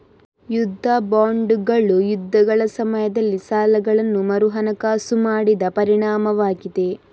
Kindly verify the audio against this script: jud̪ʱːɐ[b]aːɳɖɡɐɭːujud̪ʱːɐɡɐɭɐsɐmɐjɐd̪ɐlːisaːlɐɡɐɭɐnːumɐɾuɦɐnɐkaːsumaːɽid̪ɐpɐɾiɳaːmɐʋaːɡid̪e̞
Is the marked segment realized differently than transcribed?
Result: no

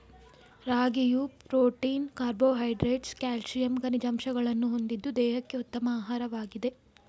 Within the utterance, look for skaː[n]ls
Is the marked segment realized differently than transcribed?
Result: yes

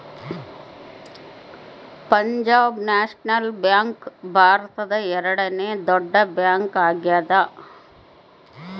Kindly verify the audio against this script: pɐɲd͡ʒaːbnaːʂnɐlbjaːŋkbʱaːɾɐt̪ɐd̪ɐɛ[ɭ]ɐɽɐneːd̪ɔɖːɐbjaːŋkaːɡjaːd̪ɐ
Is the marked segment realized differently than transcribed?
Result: yes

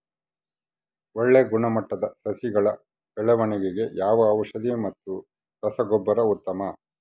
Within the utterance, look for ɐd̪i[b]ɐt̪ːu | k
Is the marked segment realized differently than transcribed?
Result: yes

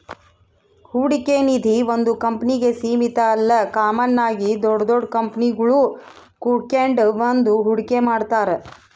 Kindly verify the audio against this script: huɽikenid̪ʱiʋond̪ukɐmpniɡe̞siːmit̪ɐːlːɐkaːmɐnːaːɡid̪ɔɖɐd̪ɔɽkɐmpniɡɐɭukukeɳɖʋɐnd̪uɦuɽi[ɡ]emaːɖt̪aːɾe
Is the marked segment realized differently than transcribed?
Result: yes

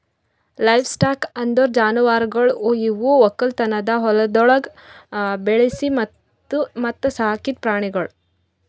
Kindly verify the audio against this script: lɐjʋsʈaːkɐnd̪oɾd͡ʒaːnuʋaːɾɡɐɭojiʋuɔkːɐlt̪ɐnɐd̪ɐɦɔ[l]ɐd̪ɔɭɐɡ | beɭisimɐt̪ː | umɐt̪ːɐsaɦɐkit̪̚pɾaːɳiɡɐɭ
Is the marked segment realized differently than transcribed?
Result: no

